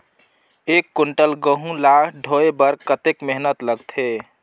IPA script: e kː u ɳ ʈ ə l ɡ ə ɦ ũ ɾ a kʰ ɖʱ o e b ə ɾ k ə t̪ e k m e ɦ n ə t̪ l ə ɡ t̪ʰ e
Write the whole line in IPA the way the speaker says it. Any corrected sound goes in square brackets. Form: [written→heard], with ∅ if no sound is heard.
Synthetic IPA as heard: e kː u ɳ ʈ ə l ɡ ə ɦ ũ [ɾ→l] a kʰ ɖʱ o e b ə ɾ k ə t̪ e k m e ɦ n ə t̪ l ə ɡ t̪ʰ e